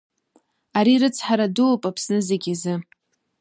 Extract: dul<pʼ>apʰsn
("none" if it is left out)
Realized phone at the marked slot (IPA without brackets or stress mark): pʼ